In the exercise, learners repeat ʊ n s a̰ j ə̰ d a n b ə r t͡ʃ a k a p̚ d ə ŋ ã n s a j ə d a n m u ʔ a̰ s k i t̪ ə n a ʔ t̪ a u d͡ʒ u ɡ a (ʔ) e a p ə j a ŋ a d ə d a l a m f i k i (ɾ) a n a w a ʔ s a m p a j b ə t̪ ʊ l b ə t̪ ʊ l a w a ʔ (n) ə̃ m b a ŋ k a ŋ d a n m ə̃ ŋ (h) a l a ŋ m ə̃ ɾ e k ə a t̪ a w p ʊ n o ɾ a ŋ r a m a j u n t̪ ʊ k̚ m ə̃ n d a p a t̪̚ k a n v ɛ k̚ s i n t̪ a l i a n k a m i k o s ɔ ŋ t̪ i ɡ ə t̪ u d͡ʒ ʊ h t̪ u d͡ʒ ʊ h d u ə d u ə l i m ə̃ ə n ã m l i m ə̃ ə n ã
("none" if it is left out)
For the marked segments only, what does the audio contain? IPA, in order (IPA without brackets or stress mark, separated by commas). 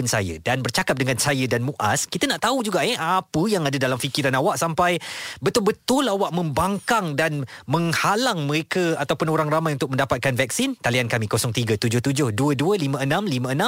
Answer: ʔ, ɾ, m, h